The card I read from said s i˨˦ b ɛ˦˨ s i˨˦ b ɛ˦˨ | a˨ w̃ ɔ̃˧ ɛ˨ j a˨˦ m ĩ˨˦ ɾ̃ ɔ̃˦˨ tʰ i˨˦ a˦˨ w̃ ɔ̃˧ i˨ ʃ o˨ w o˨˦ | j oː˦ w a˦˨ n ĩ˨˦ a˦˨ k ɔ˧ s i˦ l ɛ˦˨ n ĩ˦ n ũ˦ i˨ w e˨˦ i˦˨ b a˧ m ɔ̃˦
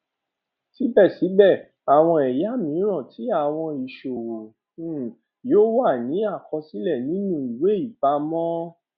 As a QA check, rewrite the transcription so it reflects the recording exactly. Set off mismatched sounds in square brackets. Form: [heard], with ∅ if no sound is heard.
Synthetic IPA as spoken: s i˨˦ b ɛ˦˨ s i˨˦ b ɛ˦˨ | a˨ w̃ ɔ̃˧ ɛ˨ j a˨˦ m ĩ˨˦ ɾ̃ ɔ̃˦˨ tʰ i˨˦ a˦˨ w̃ ɔ̃˧ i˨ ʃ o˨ w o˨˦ | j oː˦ w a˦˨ n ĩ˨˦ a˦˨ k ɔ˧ s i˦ l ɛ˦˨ n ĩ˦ n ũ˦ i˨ w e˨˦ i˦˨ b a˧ m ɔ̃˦